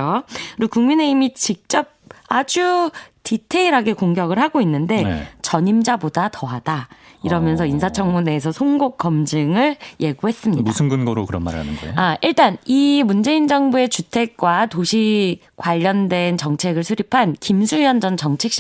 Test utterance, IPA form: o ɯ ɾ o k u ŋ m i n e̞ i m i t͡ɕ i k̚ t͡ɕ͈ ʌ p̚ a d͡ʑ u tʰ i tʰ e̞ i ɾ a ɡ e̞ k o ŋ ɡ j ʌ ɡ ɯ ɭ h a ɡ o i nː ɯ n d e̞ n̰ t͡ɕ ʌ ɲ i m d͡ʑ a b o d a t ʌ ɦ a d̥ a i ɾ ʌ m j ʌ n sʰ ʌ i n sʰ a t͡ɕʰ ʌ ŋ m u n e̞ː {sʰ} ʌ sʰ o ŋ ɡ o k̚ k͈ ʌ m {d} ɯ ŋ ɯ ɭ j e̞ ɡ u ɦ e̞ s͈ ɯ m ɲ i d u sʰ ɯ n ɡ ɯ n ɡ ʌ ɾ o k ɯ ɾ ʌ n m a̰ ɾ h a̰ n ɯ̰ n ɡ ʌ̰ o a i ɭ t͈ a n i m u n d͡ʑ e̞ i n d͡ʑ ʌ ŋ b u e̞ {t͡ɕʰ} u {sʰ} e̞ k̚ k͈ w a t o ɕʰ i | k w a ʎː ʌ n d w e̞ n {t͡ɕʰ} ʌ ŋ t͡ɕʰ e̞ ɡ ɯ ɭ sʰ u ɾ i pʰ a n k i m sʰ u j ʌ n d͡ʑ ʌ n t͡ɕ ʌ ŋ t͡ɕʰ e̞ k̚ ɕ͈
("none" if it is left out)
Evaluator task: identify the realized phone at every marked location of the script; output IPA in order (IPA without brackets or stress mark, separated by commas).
sʰ, d͡ʑ, t͡ɕ, tʰ, t͡ɕ